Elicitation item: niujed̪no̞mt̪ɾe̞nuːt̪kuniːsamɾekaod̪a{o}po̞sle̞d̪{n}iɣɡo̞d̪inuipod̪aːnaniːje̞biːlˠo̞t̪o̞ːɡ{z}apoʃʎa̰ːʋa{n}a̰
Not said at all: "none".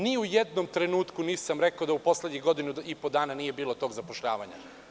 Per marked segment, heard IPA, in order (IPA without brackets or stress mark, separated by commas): u, ɲ, z, ɲ